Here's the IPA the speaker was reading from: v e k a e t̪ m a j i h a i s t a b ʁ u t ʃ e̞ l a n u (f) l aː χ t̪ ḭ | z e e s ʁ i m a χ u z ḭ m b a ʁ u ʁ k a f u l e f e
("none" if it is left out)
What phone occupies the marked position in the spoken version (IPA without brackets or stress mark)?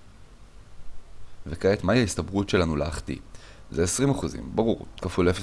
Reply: none